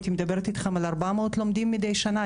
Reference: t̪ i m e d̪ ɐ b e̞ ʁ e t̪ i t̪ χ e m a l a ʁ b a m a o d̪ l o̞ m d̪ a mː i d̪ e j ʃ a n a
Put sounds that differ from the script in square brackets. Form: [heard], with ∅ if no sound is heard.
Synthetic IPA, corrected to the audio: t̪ i m e d̪ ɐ b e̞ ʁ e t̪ i t̪ χ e m a l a ʁ b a m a o [t̪] l o̞ m d̪ [i] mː i d̪ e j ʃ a n a